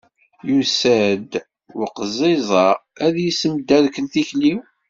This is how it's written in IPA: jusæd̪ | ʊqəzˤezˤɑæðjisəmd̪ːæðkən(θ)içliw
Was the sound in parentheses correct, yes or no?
yes